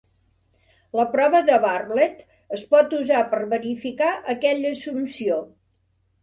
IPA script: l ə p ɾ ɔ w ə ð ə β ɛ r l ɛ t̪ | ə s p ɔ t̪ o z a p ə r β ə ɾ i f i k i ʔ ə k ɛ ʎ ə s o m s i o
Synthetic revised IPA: l ə p ɾ ɔ β ə ð ə β a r l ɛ t̪ | ə s p ɔ t̪ u z a p ə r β ə ɾ i f i k a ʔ ə k ɛ ʎ ə s u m s i o